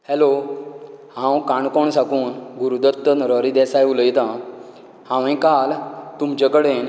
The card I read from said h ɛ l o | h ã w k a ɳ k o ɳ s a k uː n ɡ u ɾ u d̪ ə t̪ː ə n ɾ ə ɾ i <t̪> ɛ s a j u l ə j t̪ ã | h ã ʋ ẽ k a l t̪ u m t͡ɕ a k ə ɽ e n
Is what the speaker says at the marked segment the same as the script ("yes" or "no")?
no